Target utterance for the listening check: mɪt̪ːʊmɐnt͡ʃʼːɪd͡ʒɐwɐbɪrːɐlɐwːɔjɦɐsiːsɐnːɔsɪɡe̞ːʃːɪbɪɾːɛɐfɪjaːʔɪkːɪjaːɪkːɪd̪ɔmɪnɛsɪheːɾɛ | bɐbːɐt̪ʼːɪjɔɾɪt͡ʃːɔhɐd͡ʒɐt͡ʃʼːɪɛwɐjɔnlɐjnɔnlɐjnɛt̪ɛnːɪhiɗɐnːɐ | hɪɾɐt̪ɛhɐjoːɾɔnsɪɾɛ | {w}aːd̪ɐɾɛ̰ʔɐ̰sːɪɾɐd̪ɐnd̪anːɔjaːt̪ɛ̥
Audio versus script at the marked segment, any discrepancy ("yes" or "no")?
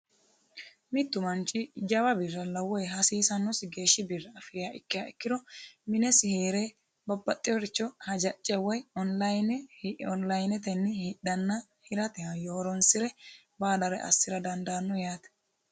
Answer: yes